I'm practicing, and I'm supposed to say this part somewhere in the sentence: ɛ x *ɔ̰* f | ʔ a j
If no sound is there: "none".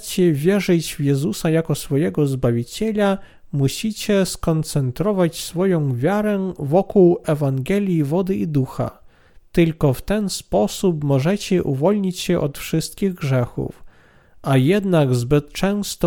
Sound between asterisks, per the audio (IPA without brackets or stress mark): ṵ